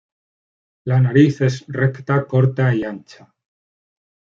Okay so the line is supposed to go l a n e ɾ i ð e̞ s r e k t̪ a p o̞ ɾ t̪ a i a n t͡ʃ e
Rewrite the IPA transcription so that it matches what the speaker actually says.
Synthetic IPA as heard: l a n a ɾ i θ e̞ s r e k t̪ a k o̞ ɾ t̪ a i a n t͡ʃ a